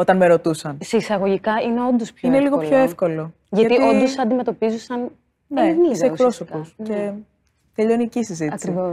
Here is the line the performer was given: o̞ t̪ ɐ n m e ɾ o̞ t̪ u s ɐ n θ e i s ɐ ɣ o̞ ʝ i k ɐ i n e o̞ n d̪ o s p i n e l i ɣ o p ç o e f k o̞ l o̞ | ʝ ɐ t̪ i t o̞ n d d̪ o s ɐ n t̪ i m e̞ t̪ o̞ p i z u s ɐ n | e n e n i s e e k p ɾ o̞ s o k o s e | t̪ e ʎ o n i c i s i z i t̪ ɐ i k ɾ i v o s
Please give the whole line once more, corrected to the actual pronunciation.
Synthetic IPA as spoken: o̞ t̪ ɐ n m e ɾ o̞ t̪ u s ɐ n s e i s ɐ ɣ o̞ ʝ i k ɐ i n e o̞ n d̪ o s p i n e l i ɣ o p ç o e f k o̞ l o̞ | ʝ ɐ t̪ i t o̞ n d d̪ o s ɐ n d̪ i m e̞ t̪ o̞ p i z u s ɐ n | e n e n i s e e k p ɾ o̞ s o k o s e | t̪ e ʎ o n i c i s i z i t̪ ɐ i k ɾ i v o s